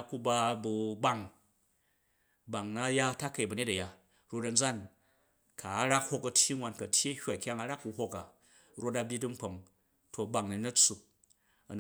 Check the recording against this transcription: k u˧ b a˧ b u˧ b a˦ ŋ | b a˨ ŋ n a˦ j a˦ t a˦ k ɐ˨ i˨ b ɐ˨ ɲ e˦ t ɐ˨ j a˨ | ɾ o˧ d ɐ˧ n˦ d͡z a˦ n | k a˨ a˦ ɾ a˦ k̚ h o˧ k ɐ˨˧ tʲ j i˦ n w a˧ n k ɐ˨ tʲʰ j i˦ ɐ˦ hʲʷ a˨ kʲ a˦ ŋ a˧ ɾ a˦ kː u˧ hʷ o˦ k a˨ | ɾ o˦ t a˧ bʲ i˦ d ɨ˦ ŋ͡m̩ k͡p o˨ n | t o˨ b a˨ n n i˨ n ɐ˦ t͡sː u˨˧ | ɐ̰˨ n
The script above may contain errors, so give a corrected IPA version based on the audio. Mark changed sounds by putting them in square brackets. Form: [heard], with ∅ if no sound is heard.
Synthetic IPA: k u˧ b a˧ b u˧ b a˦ ŋ | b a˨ ŋ n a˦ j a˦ t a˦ k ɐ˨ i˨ b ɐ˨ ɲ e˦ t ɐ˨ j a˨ | ɾ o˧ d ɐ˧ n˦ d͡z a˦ n | k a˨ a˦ ɾ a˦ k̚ h o˧ k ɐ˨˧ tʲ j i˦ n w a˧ n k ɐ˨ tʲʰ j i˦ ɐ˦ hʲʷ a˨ kʲ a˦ ŋ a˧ ɾ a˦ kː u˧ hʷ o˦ k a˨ | ɾ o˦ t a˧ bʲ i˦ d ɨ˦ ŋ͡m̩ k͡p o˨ [ŋ] | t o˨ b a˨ [ŋ] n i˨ n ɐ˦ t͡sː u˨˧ | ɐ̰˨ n